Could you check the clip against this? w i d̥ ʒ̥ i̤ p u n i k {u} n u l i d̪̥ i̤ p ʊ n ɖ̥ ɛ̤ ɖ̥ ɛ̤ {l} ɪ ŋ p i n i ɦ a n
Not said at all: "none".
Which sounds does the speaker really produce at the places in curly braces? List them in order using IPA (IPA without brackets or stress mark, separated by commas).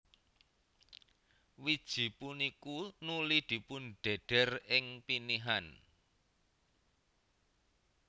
u, r